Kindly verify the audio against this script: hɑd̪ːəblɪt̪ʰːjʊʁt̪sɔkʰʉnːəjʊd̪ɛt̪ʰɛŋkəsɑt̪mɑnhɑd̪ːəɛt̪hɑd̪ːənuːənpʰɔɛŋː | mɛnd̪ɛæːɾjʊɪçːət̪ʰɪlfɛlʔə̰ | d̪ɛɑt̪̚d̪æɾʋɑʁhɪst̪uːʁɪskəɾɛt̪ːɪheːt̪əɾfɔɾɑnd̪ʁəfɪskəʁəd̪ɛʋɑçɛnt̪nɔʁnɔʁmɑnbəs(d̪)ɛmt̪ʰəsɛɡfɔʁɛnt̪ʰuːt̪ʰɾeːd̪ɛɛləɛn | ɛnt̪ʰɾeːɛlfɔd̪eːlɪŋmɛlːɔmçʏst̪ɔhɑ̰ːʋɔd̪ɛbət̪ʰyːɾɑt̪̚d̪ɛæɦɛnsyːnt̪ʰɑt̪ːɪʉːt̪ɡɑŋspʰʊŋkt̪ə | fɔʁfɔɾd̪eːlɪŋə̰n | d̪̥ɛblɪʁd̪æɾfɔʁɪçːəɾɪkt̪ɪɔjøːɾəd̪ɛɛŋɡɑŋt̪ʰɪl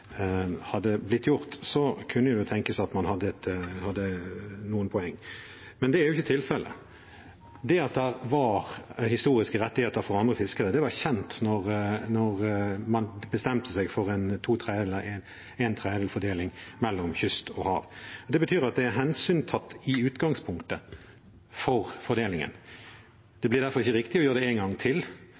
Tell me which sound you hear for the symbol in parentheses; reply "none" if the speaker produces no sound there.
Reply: t̪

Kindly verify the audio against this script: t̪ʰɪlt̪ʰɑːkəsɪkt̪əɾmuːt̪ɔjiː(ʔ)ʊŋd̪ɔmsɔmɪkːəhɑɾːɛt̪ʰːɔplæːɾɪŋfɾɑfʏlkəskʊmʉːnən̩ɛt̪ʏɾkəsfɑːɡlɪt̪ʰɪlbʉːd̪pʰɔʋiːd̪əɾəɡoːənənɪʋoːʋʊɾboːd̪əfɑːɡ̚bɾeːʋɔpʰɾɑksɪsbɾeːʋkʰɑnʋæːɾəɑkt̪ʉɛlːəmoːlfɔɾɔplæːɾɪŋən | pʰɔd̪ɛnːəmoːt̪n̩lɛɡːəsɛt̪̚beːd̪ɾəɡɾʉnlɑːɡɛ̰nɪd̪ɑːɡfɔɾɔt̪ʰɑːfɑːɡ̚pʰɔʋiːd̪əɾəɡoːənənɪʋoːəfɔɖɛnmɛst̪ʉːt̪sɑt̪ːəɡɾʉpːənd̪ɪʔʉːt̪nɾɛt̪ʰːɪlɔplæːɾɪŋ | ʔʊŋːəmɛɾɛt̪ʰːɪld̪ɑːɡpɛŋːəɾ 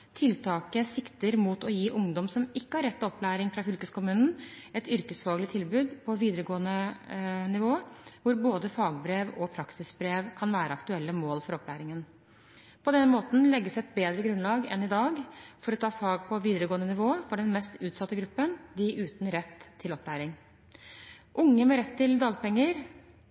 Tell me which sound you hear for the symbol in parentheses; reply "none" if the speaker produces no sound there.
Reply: ʔ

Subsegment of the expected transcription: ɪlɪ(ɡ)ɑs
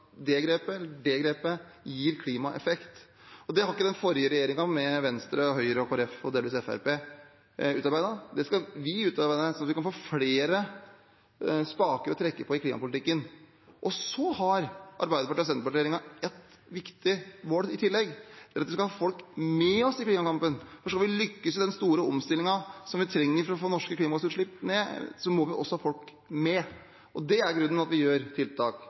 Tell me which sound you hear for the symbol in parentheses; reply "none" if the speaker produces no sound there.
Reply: ŋ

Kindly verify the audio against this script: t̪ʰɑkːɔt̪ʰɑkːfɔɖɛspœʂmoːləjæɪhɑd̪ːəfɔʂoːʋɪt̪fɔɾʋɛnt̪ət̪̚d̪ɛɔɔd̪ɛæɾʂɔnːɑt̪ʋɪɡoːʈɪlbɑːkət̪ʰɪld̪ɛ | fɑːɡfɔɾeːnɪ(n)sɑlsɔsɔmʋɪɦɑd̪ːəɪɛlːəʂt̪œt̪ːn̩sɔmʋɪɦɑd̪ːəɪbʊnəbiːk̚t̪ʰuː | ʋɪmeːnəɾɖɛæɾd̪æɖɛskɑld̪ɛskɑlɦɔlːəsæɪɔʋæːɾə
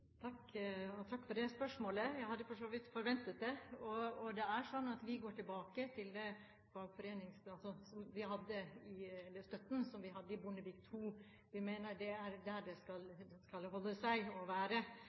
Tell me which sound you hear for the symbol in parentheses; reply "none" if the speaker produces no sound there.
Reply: ŋ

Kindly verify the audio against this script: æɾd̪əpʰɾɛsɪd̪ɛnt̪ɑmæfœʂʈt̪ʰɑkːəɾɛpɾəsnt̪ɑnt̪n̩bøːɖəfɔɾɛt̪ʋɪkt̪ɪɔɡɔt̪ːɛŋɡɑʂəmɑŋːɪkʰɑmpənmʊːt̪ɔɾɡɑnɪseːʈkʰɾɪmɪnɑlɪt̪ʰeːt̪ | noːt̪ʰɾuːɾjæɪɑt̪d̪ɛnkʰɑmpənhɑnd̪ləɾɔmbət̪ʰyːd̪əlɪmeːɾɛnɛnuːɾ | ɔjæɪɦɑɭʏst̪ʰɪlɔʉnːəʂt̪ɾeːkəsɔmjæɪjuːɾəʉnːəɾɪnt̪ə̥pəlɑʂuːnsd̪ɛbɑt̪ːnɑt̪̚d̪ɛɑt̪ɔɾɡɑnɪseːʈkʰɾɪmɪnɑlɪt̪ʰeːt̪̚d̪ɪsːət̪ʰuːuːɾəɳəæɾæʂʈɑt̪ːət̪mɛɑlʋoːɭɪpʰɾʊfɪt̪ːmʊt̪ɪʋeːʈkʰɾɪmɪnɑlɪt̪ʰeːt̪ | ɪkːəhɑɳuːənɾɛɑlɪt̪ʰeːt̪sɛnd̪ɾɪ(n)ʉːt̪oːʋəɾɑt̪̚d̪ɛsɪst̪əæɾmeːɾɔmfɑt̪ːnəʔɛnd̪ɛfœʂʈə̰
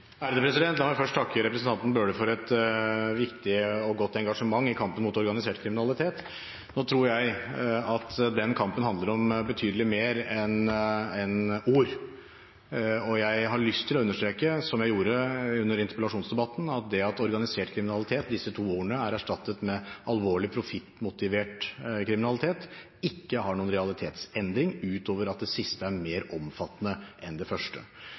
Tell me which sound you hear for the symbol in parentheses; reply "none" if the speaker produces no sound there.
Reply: ŋ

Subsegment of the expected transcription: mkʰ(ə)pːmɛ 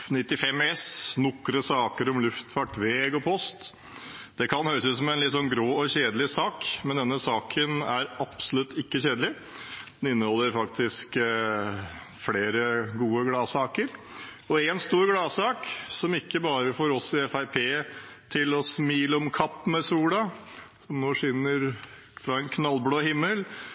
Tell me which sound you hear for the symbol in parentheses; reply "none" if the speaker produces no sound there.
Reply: ɑ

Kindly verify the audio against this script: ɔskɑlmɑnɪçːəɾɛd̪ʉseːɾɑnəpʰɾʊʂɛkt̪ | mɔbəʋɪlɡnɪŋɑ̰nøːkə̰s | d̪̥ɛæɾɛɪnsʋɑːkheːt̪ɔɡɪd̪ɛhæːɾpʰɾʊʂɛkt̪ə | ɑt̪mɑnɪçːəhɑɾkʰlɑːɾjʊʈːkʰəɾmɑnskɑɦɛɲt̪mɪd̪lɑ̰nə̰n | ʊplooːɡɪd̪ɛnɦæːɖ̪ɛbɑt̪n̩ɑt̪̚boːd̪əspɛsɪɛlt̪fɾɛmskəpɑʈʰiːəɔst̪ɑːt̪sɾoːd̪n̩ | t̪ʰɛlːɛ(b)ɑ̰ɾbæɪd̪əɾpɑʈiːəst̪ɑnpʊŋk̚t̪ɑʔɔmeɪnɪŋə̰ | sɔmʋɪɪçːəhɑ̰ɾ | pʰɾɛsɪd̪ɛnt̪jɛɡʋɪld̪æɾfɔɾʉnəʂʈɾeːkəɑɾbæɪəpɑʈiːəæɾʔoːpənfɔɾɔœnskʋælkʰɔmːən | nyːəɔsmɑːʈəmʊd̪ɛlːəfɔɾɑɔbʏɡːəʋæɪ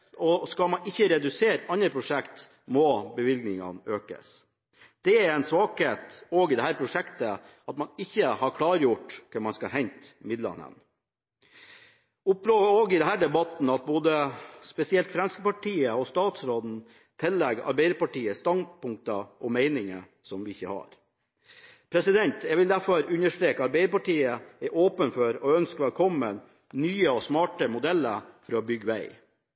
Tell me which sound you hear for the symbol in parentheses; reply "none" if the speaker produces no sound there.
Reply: ɡ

